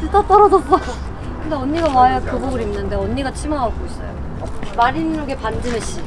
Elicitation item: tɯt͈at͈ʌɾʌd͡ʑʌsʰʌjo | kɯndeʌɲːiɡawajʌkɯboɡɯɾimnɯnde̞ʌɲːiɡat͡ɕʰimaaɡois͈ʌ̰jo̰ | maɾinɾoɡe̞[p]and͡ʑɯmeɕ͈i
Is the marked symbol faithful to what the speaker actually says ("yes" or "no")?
yes